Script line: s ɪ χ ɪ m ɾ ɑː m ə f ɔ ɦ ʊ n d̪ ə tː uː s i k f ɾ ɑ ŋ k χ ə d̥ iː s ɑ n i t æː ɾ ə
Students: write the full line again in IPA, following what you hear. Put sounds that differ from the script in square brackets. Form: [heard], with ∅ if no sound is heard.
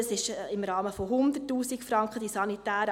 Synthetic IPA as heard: s ɪ [ʃ] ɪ m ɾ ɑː m ə f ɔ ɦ ʊ n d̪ ə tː uː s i k f ɾ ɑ ŋ k χ ə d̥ [i] s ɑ n i t æː ɾ ə